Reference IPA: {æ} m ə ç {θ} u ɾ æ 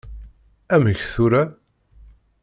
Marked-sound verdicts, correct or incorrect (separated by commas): correct, correct